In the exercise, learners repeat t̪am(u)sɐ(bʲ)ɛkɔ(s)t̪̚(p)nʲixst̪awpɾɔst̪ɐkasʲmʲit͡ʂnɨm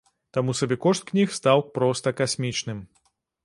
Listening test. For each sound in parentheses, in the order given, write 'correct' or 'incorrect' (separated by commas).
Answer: correct, correct, incorrect, incorrect